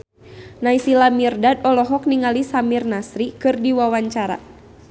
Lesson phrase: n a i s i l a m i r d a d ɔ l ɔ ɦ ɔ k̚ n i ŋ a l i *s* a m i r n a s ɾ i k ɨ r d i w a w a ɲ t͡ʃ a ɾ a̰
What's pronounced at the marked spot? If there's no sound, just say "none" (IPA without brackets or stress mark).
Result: s